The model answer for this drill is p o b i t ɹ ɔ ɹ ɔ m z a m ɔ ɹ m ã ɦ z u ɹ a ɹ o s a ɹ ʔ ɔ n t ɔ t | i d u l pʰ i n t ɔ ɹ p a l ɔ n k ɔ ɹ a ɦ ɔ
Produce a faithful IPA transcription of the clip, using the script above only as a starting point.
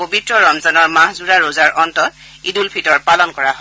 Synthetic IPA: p o b i t ɹ ɔ ɹ ɔ m z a n ɔ ɹ m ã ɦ z u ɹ a ɹ o z a ɹ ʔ ɔ n t ɔ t | i d u l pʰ i t ɔ ɹ p a l ɔ n k ɔ ɹ a ɦ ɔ